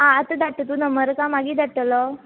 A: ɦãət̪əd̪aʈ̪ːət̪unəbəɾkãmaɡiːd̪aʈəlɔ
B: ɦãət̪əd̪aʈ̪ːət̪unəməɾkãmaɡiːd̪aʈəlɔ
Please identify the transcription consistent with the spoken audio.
B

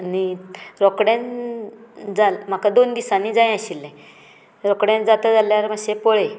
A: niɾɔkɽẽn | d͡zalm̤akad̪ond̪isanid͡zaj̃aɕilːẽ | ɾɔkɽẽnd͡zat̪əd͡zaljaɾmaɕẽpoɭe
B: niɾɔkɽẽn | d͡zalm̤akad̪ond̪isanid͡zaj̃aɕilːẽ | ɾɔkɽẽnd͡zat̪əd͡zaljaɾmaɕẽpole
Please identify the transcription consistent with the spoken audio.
A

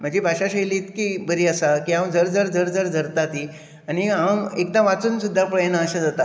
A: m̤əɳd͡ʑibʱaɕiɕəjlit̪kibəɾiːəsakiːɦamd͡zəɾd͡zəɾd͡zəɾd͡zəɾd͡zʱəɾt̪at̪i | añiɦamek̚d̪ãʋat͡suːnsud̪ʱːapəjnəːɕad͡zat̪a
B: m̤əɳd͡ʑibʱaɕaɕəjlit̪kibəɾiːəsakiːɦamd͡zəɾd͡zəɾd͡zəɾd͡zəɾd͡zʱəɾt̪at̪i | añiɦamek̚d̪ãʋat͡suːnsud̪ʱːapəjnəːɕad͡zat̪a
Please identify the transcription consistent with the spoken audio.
B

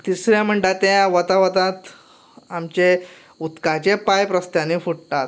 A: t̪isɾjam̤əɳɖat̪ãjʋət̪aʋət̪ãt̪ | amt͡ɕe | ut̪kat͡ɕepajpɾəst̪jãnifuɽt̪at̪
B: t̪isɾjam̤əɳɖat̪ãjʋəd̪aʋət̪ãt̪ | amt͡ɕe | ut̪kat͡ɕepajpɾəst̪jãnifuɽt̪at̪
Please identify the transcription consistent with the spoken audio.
A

